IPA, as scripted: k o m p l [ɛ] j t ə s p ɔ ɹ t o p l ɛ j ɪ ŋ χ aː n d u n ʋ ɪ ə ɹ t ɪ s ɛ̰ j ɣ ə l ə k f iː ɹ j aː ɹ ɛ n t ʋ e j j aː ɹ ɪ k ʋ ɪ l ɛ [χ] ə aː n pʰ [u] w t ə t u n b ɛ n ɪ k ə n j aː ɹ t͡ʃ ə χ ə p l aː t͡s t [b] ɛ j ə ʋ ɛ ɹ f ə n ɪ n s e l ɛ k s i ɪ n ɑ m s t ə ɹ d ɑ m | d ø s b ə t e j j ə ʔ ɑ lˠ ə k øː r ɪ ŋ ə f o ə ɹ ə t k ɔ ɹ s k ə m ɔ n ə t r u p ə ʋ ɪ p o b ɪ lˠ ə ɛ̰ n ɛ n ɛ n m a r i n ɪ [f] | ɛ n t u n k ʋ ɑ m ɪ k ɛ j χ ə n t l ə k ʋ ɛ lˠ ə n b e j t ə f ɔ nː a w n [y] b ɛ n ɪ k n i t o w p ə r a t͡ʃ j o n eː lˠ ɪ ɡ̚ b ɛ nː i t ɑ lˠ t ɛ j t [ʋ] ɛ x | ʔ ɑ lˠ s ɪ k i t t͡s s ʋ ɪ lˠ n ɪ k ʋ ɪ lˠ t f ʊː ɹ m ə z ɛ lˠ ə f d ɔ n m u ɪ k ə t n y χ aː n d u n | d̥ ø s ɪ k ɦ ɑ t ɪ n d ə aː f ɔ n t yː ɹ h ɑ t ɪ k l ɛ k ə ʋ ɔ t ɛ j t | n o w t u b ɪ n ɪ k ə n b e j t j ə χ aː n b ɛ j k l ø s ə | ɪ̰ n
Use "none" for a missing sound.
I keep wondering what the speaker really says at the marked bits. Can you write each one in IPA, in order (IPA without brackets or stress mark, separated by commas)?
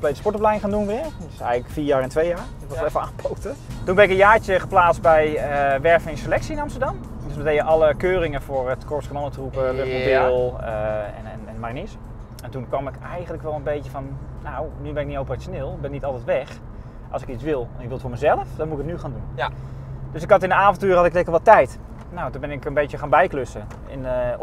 e, f, o, b, s, y, ʋ